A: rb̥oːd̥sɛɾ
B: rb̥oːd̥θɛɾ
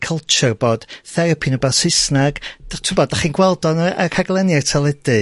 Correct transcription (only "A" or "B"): B